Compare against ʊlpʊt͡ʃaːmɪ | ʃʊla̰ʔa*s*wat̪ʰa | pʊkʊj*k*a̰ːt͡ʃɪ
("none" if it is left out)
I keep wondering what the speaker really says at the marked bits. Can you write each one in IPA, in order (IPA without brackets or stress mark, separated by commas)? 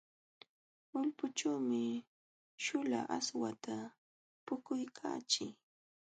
s, kʰ